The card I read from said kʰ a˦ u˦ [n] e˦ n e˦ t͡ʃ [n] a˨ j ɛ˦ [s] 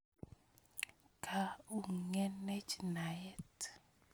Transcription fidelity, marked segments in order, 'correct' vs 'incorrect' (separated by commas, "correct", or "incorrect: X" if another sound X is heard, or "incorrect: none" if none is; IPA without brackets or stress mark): incorrect: ŋ, correct, incorrect: t